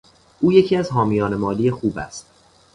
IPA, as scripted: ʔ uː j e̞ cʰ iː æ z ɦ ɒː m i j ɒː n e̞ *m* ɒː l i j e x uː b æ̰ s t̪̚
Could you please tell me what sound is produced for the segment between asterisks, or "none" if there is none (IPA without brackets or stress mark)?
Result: m